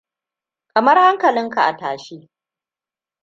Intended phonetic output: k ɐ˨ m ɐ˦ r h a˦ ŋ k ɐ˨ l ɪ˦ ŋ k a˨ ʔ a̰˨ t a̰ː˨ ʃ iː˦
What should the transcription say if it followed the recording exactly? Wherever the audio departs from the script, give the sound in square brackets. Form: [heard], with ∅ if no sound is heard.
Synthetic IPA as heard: k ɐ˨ m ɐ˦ r h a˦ ŋ k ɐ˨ l ɪ˦ ŋ k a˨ ʔ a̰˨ t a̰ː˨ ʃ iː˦